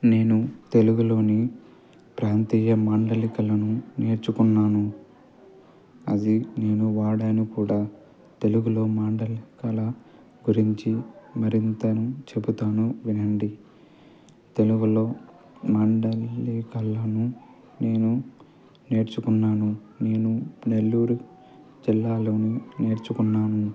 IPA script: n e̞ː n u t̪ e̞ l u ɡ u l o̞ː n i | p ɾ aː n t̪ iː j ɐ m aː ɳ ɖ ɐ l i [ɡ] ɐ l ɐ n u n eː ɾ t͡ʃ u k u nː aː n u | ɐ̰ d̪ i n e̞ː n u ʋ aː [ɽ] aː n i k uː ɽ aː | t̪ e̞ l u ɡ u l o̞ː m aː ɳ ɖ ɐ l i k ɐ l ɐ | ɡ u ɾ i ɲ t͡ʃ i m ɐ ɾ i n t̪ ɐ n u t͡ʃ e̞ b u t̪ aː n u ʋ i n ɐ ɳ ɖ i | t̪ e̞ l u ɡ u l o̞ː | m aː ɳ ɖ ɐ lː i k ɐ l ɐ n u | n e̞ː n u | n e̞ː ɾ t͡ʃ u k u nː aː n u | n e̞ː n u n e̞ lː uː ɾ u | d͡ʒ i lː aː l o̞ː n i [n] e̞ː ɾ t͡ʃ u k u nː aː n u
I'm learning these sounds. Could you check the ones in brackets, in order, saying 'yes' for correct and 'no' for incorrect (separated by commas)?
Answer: no, yes, yes